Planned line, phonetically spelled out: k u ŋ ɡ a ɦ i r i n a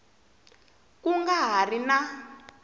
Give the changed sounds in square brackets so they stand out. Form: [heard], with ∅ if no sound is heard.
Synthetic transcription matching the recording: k u ŋ ɡ a ɦ [a] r i n a